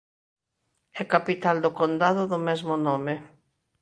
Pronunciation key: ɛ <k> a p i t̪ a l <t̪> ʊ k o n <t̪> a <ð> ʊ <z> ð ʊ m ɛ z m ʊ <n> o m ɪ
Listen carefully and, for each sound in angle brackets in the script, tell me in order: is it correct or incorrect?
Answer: correct, incorrect, incorrect, correct, incorrect, correct

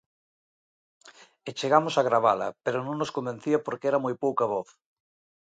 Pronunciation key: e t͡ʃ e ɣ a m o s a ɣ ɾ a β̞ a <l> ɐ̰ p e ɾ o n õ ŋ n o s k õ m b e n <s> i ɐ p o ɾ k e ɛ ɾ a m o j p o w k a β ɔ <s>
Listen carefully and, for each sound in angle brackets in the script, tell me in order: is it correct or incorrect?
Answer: correct, incorrect, incorrect

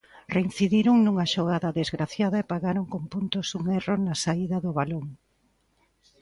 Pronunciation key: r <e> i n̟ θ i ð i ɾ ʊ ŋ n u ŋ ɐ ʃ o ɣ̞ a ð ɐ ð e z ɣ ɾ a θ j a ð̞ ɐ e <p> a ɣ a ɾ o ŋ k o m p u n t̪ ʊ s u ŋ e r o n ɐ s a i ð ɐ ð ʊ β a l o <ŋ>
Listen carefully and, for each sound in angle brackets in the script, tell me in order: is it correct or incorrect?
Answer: correct, correct, correct

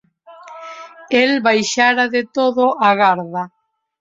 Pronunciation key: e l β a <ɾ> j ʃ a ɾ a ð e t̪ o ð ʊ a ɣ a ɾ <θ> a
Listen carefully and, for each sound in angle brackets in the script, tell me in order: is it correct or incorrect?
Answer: incorrect, incorrect

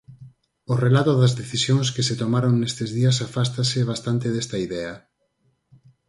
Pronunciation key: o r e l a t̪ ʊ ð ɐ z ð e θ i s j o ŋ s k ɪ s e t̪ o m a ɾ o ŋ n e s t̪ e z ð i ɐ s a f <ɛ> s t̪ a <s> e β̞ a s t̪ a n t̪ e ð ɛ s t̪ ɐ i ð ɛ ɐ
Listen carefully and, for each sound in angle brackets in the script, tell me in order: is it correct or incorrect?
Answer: incorrect, correct

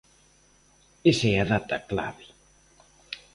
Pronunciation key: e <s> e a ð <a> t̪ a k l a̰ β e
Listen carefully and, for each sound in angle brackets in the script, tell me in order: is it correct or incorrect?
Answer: correct, correct

